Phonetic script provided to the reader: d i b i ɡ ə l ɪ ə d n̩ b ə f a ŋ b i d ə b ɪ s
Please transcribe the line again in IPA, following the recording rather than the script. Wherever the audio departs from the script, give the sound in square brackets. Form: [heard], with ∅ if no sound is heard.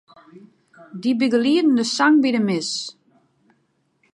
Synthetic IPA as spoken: d i b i ɡ ə l [i] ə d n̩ [d] ə [s] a ŋ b i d ə [m] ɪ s